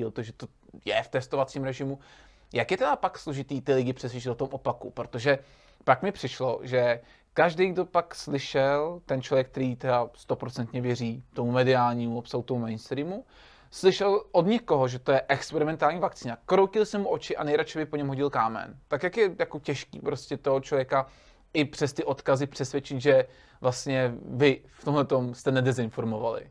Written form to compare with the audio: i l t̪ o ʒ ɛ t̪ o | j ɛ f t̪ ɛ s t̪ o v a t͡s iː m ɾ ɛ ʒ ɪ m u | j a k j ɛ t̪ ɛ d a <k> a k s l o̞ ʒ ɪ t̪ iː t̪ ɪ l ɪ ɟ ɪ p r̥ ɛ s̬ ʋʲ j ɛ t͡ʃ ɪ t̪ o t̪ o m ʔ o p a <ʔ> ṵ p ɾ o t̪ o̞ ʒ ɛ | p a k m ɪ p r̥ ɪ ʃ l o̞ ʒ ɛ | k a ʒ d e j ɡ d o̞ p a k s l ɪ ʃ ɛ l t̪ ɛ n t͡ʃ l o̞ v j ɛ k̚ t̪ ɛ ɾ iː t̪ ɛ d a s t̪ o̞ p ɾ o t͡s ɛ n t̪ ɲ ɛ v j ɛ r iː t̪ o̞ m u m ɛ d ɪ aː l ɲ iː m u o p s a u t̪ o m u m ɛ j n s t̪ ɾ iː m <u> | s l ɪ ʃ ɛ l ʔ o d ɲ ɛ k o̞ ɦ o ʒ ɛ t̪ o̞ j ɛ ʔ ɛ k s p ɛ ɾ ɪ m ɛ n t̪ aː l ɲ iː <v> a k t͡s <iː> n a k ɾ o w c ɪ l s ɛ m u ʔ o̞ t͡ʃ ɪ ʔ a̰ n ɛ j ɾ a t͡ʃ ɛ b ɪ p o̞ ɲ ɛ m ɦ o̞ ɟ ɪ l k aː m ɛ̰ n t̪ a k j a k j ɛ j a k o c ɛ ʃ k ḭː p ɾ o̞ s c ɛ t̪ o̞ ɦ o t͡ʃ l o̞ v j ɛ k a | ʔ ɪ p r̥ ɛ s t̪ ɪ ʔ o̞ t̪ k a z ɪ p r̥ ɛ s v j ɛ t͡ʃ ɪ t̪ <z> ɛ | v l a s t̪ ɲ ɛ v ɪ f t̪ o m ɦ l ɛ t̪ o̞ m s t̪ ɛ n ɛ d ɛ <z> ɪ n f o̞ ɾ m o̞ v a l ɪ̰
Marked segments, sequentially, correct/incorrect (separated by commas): incorrect, incorrect, correct, correct, correct, incorrect, correct